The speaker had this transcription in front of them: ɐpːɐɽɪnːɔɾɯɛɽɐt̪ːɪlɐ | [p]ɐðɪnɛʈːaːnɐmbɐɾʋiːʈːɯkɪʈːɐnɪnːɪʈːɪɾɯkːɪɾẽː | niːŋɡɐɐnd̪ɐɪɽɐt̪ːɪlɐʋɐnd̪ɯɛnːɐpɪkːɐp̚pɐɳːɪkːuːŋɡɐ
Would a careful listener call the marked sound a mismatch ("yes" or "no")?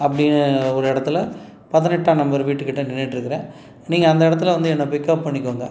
no